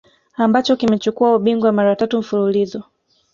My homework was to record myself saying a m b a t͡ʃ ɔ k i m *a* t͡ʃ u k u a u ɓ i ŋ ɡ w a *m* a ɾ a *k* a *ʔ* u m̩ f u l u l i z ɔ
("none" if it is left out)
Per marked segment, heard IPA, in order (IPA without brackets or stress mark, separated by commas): ɛ, m, t, t